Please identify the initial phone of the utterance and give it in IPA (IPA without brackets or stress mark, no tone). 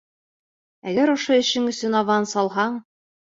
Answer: æ